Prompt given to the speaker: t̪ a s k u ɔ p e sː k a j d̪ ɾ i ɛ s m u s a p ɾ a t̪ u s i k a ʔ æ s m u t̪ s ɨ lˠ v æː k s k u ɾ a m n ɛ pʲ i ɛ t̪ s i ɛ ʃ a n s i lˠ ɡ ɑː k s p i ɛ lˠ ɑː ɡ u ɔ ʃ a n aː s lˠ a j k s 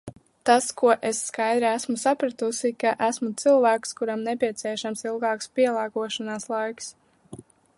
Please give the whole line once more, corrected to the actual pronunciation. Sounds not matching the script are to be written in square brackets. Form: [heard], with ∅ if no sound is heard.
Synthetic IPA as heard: t̪ a s k u ɔ [ʔ] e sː k a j d̪ ɾ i [æ] s m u s a p ɾ a t̪ u s i k a ʔ æ s m u t̪ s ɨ lˠ v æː k s k u ɾ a m n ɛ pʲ i ɛ t̪ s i ɛ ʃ a [m] s i lˠ ɡ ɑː k s p i ɛ lˠ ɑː ɡ u ɔ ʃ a n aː s lˠ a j k s